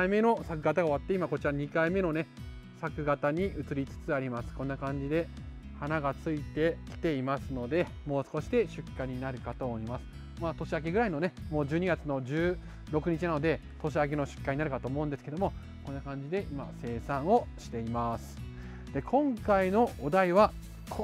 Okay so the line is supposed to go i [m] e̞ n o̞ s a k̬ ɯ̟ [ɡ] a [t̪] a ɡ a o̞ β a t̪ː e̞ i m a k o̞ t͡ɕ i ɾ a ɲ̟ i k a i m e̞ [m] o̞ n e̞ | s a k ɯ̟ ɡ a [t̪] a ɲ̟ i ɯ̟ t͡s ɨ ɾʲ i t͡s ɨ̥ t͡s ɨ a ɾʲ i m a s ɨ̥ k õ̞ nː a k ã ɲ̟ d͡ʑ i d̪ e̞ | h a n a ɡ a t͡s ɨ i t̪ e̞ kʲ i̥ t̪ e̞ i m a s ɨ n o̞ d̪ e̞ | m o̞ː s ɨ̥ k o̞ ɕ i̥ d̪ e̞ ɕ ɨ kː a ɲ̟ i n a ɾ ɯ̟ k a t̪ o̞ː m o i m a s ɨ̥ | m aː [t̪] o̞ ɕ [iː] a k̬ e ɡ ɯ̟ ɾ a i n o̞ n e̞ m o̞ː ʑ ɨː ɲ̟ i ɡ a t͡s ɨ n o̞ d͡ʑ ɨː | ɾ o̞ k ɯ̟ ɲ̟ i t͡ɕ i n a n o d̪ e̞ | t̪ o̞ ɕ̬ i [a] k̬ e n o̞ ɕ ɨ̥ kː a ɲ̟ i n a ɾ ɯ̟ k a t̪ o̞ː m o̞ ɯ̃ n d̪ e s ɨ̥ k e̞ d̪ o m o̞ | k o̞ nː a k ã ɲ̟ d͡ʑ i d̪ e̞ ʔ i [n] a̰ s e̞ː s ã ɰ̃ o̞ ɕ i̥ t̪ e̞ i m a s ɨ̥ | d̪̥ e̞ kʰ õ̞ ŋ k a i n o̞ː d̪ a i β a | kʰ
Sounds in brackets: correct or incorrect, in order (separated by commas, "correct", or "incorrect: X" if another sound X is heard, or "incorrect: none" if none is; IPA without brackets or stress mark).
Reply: correct, correct, correct, incorrect: n, correct, correct, incorrect: i, correct, incorrect: m